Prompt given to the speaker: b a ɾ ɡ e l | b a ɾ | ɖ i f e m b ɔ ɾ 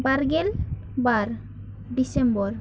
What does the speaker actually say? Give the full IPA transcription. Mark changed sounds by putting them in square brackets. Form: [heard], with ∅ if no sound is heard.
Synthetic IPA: b a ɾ ɡ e l | b a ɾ | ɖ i [s] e m b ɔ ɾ

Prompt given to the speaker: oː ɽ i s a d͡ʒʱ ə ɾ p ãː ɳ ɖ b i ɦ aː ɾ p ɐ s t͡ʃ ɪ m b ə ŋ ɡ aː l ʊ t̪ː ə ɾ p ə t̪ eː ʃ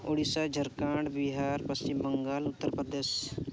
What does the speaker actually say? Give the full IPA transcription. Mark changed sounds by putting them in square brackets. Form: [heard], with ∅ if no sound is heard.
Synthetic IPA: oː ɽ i s a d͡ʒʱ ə ɾ [k] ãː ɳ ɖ b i ɦ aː ɾ p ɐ s t͡ʃ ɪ m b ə ŋ ɡ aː l ʊ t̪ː ə ɾ p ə [d̪] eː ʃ

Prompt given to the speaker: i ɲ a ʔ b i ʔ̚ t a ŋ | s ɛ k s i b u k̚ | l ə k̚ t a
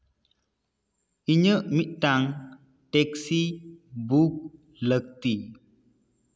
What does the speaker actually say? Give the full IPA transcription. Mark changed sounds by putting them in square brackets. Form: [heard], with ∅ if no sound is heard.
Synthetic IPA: i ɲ [ə] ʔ [m] i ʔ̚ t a ŋ | [t] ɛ k s i b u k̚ | l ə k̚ t [i]

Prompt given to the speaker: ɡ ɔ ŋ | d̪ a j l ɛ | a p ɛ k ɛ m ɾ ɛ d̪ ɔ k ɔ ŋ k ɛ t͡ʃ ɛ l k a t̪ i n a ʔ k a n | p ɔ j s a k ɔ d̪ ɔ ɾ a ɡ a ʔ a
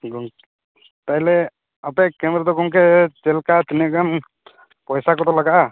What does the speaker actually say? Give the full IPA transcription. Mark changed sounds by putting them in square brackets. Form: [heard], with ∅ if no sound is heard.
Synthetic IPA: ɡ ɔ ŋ | [t̪] a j l ɛ | a p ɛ k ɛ m ɾ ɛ d̪ ɔ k ɔ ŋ k ɛ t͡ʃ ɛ l k a t̪ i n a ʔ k a n | p ɔ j s a k ɔ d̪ ɔ [l] a ɡ a ʔ a

